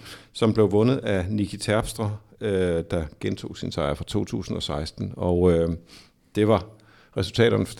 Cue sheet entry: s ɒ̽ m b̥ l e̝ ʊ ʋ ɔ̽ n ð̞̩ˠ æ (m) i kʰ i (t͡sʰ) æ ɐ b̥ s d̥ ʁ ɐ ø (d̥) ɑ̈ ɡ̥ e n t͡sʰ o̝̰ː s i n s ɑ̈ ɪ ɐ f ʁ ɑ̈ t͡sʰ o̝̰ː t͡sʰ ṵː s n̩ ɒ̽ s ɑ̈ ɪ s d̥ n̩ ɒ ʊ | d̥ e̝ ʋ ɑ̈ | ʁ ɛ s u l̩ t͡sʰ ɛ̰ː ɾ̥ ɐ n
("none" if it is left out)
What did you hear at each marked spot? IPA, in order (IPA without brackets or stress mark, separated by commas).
n, t͡sʰ, d̥